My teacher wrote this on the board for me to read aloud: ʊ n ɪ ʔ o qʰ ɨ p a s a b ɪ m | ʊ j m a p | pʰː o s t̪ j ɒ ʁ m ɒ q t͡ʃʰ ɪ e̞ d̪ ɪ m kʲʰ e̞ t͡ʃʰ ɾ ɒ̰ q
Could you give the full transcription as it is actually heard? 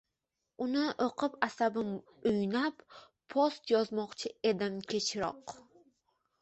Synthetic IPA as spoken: ʊ n ɪ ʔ o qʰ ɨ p a s a b ɪ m | ʊ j n a p | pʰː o s t̪ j ɒ z m ɒ q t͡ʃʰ ɪ e̞ d̪ ɪ m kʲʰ e̞ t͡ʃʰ ɾ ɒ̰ q